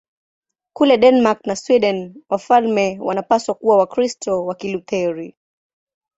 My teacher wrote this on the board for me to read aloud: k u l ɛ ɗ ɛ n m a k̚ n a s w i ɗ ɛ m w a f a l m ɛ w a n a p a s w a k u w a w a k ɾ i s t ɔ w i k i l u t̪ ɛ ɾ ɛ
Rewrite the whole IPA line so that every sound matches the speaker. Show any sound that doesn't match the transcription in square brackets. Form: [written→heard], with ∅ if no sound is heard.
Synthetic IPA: k u l ɛ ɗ ɛ n m a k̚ n a s w i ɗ ɛ [m→n] w a f a l m ɛ w a n a p a s w a k u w a w a k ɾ i s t ɔ w [i→a] k i l u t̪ ɛ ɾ [ɛ→i]